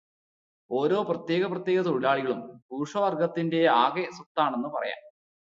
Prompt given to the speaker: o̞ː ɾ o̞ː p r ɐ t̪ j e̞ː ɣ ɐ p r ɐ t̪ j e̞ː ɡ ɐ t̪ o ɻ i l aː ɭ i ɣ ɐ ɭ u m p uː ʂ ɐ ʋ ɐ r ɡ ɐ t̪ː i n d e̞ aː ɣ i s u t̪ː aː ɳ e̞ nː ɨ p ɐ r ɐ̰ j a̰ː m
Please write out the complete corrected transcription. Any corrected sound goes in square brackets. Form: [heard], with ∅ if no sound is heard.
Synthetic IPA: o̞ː ɾ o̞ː p r ɐ t̪ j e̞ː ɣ ɐ p r ɐ t̪ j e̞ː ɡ ɐ t̪ o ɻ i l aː ɭ i ɣ ɐ ɭ u m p uː ʂ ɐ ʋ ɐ r ɡ ɐ t̪ː i n d e̞ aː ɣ [e] s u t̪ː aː ɳ e̞ nː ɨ p ɐ r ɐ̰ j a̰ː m